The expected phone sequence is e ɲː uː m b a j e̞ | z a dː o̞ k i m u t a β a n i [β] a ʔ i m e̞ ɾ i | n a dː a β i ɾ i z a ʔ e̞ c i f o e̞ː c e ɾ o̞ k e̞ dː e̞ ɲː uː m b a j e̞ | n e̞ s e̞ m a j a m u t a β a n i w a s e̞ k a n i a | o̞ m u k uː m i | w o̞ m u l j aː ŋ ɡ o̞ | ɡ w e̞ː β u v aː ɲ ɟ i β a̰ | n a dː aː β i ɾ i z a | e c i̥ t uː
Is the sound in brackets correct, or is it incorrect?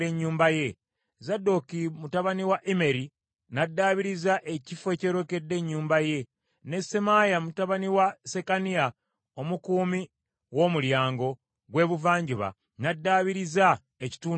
incorrect